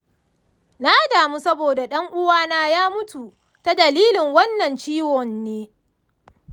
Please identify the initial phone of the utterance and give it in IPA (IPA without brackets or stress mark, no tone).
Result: n